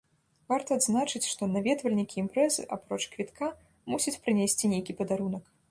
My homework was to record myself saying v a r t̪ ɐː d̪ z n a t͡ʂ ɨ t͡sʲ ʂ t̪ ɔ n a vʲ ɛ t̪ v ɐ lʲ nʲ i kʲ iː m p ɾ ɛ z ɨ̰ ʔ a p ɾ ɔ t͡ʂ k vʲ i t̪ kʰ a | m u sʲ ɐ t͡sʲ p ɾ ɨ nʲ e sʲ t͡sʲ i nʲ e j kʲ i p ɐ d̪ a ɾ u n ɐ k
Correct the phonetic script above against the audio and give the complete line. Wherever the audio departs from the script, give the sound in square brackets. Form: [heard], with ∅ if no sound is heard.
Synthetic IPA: v a r t̪ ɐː d̪ z n a t͡ʂ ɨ t͡sʲ ʂ t̪ ɔ n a vʲ ɛ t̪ v ɐ lʲ nʲ i kʲ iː m p ɾ ɛ z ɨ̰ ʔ a p ɾ ɔ t͡ʂ k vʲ i t̪ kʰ a | m u sʲ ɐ t͡sʲ p ɾ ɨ nʲ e sʲ t͡sʲ i nʲ e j kʲ i p ɐ d̪ a ɾ u n ɐ k